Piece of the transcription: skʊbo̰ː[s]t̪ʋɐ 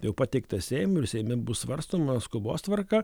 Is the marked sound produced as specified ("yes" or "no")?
yes